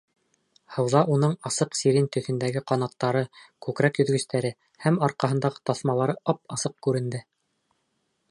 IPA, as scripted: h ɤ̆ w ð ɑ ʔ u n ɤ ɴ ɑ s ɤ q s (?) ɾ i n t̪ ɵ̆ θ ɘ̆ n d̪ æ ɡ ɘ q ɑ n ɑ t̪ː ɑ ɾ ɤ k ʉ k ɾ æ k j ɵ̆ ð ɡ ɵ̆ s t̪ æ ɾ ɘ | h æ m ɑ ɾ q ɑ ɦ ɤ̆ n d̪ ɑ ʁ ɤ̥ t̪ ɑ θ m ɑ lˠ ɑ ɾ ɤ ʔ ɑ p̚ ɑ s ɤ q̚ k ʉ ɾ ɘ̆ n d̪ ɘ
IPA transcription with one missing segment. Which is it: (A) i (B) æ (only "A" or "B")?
A